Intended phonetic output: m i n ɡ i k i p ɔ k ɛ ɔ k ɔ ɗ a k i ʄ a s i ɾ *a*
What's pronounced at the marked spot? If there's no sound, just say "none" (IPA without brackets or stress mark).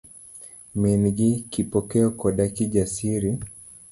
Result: i